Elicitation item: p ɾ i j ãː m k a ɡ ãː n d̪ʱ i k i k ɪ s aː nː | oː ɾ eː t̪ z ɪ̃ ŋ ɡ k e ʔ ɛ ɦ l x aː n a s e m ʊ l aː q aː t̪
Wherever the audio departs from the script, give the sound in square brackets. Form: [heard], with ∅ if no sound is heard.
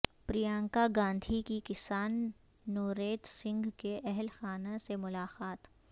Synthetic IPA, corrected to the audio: p ɾ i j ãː [ŋ] k a ɡ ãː n d̪ʱ i k i k ɪ s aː nː | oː ɾ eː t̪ [s] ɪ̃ ŋ ɡ k e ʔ ɛ ɦ l x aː n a s e m ʊ l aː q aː t̪